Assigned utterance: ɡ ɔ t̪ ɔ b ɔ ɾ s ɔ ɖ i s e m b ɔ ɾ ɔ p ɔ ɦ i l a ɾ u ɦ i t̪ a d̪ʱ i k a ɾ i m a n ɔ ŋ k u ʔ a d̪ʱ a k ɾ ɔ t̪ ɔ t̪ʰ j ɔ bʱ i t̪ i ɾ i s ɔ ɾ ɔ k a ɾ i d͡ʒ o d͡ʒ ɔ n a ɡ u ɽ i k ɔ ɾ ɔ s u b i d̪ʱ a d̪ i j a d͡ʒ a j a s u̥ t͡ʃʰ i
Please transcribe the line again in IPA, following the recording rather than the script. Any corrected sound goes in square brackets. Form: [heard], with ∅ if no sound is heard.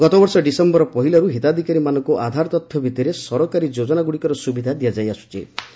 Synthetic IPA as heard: ɡ ɔ t̪ ɔ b ɔ ɾ s ɔ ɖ i s e m b ɔ ɾ ɔ p ɔ ɦ i l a ɾ u ɦ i t̪ a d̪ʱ i k a ɾ i m a n ɔ ŋ k u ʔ a d̪ʱ a [∅] ɾ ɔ t̪ ɔ t̪ʰ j ɔ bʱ i t̪ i ɾ [e] s ɔ ɾ ɔ k a ɾ i d͡ʒ o d͡ʒ ɔ n a ɡ u ɽ i k ɔ ɾ ɔ s u b i d̪ʱ a d̪ i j a d͡ʒ a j a s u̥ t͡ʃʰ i

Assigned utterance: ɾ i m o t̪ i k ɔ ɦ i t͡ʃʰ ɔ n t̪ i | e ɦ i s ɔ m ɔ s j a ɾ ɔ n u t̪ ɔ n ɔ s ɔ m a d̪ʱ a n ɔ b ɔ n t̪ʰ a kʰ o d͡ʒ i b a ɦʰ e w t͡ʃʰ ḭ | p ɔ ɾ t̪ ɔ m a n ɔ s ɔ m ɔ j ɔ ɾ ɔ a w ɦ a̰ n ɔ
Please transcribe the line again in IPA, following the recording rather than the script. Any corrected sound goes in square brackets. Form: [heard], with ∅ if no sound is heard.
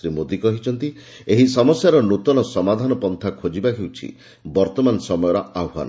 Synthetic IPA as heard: ɾ i m o [d̪] i k ɔ ɦ i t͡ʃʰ ɔ n t̪ i | e ɦ i s ɔ m ɔ s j a ɾ ɔ n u t̪ ɔ n ɔ s ɔ m a d̪ʱ a n ɔ [p] ɔ n t̪ʰ a kʰ o d͡ʒ i b a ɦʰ e w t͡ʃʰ ḭ | [b] ɔ ɾ t̪ ɔ m a n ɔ s ɔ m ɔ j ɔ ɾ ɔ a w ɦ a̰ n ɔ

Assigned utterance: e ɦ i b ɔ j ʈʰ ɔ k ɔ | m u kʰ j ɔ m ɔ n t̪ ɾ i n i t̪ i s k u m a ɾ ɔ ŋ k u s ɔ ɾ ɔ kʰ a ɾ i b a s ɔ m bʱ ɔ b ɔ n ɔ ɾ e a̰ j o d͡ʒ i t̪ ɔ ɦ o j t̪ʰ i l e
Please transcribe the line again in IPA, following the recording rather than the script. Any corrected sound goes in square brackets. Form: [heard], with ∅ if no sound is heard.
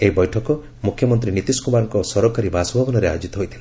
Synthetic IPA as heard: e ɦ i b ɔ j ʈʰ ɔ k ɔ | m u kʰ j ɔ m ɔ n t̪ ɾ i n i t̪ i s k u m a ɾ ɔ ŋ k [ɔ] s ɔ ɾ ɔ [k] a ɾ i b a s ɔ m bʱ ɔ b ɔ n ɔ ɾ e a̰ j o d͡ʒ i t̪ ɔ ɦ o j t̪ʰ i l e

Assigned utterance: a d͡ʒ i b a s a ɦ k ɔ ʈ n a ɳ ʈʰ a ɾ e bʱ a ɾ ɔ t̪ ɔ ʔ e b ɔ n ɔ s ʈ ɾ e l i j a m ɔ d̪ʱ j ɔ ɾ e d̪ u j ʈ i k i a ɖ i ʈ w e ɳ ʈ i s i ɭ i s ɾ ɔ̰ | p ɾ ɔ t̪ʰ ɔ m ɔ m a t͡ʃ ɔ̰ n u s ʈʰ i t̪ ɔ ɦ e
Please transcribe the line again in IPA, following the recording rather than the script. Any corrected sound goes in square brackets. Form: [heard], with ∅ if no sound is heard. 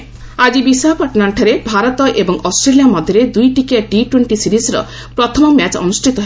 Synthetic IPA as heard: a d͡ʒ i b [i] s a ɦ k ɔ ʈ n a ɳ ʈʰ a ɾ e bʱ a ɾ ɔ t̪ ɔ ʔ e b ɔ [ŋ] ɔ s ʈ ɾ e l i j a m ɔ d̪ʱ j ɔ ɾ e d̪ u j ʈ i k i a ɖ i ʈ w e ɳ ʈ i s i [ɾ] i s ɾ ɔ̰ | p ɾ ɔ t̪ʰ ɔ m ɔ m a t͡ʃ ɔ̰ n u s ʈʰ i t̪ ɔ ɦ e

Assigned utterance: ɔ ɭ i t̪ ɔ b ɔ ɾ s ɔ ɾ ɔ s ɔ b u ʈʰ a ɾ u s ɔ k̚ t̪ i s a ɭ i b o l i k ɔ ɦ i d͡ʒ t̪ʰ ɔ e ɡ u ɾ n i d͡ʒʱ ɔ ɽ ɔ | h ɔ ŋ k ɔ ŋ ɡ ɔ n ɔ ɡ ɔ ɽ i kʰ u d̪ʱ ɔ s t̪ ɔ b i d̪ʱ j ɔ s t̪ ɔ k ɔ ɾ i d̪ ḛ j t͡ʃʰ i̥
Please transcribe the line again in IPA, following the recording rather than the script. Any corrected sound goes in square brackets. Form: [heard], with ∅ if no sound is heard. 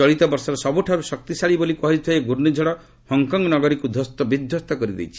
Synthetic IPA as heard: ɔ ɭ i t̪ ɔ b ɔ ɾ s ɔ ɾ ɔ s ɔ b u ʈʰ a ɾ u s ɔ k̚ t̪ i s a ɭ i b o l i k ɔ ɦ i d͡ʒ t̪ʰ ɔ e ɡ u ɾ n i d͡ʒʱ ɔ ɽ ɔ | h ɔ ŋ k ɔ ŋ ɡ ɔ n ɔ ɡ ɔ [ɾ] i [k] u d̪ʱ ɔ s t̪ ɔ b i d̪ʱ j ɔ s t̪ ɔ k ɔ ɾ i d̪ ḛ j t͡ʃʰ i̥

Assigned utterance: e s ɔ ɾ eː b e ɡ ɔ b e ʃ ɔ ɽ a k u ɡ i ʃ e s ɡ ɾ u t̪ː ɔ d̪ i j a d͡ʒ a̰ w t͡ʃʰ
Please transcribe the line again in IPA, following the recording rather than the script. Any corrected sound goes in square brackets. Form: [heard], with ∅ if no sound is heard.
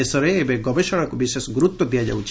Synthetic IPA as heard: e s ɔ ɾ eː b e ɡ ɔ b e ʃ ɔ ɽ a k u [b] i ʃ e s ɡ ɾ u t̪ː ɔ d̪ i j a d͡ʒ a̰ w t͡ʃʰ

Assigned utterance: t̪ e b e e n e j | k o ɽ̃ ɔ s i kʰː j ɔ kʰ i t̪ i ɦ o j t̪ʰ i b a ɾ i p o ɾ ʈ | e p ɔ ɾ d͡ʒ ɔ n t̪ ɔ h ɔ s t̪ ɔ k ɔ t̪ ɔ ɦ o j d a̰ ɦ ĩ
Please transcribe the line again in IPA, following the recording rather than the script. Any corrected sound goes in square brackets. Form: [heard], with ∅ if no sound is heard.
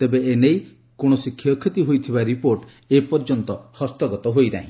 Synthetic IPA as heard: t̪ e b e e n e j | k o ɽ̃ ɔ s i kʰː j ɔ kʰ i t̪ i ɦ o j t̪ʰ i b a ɾ i p o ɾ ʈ | e p ɔ ɾ d͡ʒ ɔ n t̪ ɔ h ɔ s t̪ ɔ [ɡ] ɔ t̪ ɔ ɦ o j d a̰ ɦ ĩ

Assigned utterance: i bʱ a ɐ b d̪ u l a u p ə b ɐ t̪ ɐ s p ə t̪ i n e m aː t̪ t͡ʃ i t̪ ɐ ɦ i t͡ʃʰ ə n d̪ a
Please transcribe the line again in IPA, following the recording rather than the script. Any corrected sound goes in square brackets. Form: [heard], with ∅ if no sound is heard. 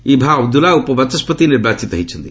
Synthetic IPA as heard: i bʱ a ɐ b d̪ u l a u p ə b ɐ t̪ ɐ s p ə t̪ i n e [b] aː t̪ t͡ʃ i t̪ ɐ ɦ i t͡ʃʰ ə n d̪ [i]

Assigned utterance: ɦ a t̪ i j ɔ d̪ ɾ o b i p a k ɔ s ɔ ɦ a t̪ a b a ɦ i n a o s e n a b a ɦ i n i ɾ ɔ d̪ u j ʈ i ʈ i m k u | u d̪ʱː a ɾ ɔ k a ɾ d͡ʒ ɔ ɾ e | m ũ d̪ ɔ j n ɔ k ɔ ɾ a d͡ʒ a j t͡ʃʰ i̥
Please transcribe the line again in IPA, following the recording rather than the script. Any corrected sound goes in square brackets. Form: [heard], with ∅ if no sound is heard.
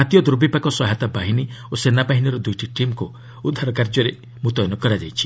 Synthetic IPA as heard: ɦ a t̪ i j ɔ d̪ ɾ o b i p a k ɔ s ɔ ɦ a t̪ a b a ɦ i n [i] o s e n a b a ɦ i n i ɾ ɔ d̪ u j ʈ i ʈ i m k u | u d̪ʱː a ɾ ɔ k a ɾ d͡ʒ ɔ ɾ e | m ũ [t̪] ɔ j n ɔ k ɔ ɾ a d͡ʒ a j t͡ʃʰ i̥

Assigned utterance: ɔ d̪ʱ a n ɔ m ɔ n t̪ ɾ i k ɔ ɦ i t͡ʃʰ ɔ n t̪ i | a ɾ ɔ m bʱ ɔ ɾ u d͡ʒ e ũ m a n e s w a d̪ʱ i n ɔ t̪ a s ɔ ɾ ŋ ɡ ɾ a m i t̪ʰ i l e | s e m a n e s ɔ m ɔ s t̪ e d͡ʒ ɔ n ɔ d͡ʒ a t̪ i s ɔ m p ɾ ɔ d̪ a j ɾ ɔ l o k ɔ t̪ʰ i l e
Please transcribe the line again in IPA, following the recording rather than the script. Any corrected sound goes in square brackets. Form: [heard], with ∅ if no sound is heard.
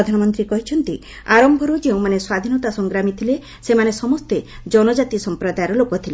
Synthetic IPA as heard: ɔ d̪ʱ a n ɔ m ɔ n t̪ ɾ i k ɔ ɦ i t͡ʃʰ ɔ n t̪ i | a ɾ ɔ m bʱ ɔ ɾ u d͡ʒ e ũ m a n e s w a d̪ʱ i n ɔ t̪ a s ɔ [∅] ŋ ɡ ɾ a m i t̪ʰ i l e | s e m a n e s ɔ m ɔ s t̪ e d͡ʒ ɔ n ɔ d͡ʒ a t̪ i s ɔ m p ɾ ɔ d̪ a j ɾ ɔ l o k ɔ t̪ʰ i l e

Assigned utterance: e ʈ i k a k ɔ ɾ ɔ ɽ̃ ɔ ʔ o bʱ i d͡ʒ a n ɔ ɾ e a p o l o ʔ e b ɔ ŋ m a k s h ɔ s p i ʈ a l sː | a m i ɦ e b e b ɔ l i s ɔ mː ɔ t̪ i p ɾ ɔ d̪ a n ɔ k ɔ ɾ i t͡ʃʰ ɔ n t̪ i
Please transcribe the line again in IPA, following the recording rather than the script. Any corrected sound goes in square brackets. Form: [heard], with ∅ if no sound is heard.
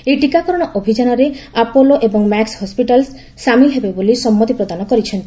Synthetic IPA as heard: e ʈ i k a k ɔ ɾ ɔ ɽ̃ ɔ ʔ o bʱ i d͡ʒ a n ɔ ɾ e a p o l o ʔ e b ɔ ŋ m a k s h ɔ s p i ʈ a l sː | a m i ɦ e b e b [o] l i s ɔ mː ɔ t̪ i p ɾ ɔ d̪ a n ɔ k ɔ ɾ i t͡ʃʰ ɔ n t̪ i

